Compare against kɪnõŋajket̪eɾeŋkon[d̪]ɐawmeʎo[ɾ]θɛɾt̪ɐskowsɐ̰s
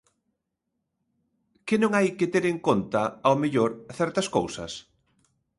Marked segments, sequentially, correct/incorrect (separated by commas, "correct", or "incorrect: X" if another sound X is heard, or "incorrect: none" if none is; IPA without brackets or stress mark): incorrect: t̪, correct